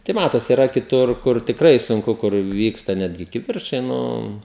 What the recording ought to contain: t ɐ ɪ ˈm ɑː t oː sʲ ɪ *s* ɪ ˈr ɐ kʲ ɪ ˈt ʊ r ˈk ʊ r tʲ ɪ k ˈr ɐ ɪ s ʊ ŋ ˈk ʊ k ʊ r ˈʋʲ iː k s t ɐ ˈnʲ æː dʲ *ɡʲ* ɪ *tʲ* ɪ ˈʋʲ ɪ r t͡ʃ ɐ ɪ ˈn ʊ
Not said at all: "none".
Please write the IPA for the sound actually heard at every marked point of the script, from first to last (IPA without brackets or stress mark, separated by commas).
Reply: none, ɡʲ, kʲ